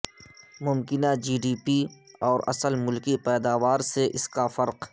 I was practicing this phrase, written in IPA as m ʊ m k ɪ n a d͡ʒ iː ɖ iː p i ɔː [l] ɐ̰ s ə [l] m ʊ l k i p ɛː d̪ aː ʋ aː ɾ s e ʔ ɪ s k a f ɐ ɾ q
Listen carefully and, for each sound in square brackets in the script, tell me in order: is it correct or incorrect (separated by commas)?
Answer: incorrect, correct